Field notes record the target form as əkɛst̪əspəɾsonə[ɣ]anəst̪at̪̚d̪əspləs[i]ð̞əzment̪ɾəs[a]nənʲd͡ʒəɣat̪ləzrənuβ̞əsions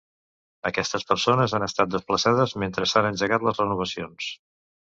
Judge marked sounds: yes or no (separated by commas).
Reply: no, no, yes